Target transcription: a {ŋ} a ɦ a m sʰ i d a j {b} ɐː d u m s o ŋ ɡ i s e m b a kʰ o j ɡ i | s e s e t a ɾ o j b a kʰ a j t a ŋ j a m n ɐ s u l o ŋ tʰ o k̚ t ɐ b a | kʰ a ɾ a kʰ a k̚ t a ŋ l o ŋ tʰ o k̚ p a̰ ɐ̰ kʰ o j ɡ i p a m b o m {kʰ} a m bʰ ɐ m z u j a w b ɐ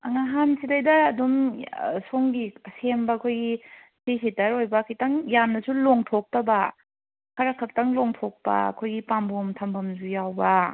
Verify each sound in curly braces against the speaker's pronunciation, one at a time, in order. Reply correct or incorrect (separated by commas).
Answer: correct, incorrect, incorrect